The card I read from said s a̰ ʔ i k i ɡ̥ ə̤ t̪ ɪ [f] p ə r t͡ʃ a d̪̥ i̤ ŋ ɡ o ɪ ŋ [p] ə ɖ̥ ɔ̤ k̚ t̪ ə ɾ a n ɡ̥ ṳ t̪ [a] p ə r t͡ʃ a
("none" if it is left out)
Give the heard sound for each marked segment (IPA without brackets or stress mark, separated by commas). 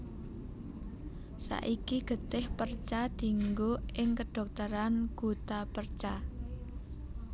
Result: h, k, a